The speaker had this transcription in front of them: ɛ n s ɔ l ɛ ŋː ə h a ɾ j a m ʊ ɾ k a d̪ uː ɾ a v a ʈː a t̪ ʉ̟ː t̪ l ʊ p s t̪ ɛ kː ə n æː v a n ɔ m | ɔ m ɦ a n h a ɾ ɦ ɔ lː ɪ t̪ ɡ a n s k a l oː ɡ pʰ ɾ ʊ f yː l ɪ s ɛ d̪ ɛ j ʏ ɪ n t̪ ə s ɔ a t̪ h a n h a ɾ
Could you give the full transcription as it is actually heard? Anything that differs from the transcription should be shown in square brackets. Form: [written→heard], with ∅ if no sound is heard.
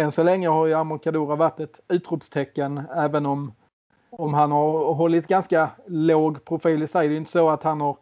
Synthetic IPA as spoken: ɛ n s ɔ l ɛ ŋː ə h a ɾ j a m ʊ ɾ k a d̪ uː ɾ a v a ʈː [a→ɛ] t̪ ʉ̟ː t̪ [l→ɾ] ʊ p s [t̪→t̪ʰ] ɛ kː ə n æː v [a→ə] n ɔ m | ɔ m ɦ a n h a ɾ ɦ ɔ lː ɪ t̪ ɡ a n s k a l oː ɡ pʰ ɾ ʊ f [yː→iː] l ɪ s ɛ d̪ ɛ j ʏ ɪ n t̪ ə s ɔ a t̪ h a n h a ɾ